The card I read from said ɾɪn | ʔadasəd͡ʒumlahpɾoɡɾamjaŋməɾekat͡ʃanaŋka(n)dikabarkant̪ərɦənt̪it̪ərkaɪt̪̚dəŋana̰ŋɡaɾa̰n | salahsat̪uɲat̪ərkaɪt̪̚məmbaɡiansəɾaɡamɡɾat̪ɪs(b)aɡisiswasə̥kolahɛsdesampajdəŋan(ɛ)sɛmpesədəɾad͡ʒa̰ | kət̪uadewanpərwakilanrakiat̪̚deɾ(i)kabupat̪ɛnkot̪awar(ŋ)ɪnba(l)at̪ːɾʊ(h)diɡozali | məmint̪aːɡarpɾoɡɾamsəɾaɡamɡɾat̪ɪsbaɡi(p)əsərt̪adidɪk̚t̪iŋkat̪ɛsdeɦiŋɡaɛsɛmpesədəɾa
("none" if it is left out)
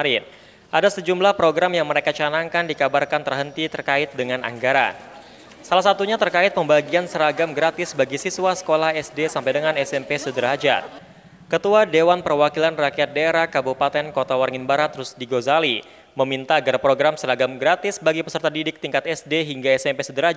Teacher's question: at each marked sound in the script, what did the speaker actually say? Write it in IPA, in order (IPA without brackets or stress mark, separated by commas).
n, b, ɛ, a, ŋ, ɾ, s, p